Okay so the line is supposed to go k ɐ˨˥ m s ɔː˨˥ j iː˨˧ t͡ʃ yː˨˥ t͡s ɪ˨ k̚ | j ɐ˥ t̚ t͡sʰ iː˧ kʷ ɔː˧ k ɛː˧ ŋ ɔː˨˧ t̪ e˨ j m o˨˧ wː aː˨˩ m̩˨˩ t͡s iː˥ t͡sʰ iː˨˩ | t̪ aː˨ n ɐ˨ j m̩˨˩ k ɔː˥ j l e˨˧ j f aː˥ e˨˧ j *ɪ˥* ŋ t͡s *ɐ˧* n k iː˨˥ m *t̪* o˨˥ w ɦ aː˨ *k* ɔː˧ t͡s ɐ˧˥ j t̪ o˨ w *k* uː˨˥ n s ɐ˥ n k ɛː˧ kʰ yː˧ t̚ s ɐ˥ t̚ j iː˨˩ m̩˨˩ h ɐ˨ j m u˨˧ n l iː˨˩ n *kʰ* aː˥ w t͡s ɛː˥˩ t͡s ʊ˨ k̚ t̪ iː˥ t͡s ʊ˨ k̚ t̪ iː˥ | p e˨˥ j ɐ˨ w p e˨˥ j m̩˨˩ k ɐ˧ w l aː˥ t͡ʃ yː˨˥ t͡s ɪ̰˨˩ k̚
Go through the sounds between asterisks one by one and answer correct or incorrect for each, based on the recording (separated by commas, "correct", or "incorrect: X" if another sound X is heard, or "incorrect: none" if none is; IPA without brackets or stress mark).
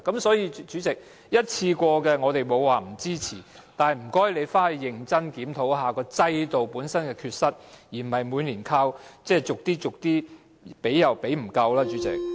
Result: incorrect: ɪ˨˩, incorrect: ɐ˥, incorrect: t̪ʰ, correct, incorrect: p, correct